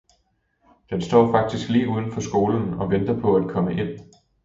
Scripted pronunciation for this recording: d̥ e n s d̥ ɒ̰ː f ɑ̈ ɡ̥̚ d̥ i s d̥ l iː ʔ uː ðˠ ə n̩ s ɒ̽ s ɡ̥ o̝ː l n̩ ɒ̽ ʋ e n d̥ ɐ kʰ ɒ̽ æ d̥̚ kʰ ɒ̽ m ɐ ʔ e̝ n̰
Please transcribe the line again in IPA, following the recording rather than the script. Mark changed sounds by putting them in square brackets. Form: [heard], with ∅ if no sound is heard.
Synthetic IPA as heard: d̥ e n s d̥ ɒ̰ː f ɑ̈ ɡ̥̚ d̥ i s [ɡ̥] l iː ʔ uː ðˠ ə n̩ [f] ɒ̽ s ɡ̥ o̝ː l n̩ ɒ̽ ʋ e n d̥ ɐ [pʰ] ɒ̽ æ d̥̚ kʰ ɒ̽ m [ə] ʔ e̝ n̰